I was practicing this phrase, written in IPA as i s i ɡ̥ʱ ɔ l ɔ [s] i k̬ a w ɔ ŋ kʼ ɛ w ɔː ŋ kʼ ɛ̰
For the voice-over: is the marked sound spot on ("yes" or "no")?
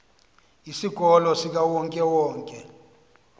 yes